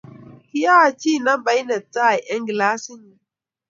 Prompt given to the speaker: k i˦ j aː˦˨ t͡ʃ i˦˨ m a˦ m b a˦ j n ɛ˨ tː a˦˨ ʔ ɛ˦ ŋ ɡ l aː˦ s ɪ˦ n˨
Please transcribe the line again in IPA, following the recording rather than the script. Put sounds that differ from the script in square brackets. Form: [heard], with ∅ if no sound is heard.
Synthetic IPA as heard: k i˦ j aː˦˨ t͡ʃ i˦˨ [n] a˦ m b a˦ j n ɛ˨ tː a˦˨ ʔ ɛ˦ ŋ ɡ l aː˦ s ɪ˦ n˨

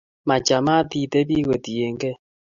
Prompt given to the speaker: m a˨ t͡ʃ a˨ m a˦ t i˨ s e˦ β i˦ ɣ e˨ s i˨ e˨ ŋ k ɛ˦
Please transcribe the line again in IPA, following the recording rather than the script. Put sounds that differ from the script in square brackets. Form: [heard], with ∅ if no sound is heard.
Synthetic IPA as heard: m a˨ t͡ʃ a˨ m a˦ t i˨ [t] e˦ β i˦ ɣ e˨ [t] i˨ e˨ ŋ [ɡ] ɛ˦

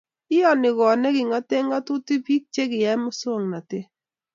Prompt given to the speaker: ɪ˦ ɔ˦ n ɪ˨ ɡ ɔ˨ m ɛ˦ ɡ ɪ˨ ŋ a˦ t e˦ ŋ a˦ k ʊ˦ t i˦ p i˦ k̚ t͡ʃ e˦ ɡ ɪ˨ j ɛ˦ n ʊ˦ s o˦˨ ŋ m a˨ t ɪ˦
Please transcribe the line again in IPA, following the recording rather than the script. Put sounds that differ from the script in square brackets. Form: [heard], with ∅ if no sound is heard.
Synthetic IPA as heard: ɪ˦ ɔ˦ n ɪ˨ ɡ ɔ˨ [n] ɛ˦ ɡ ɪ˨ ŋ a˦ t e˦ ŋ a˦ [t] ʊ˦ t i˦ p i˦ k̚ t͡ʃ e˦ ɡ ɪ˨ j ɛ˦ [m] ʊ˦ s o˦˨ ŋ [n] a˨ t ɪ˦

